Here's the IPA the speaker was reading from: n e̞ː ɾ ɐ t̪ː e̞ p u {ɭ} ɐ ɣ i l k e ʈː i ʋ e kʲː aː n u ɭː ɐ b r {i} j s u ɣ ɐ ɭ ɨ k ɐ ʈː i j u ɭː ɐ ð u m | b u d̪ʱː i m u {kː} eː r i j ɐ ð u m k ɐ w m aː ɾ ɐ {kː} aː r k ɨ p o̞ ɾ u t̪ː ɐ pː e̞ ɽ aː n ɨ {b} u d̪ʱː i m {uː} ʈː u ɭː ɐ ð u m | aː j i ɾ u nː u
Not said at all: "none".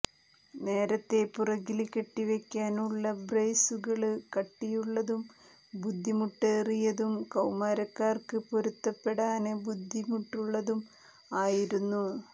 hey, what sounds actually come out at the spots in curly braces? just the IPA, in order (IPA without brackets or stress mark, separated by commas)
r, e, ʈː, kː, b, u